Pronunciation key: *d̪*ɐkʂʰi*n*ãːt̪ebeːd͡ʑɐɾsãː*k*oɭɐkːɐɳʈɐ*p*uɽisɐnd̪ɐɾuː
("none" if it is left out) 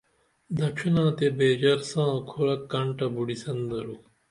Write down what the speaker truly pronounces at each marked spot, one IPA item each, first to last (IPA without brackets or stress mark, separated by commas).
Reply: d̪, n, kʰ, b